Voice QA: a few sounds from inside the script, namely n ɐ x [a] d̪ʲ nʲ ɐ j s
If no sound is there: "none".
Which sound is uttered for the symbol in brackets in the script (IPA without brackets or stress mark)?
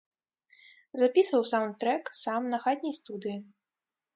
a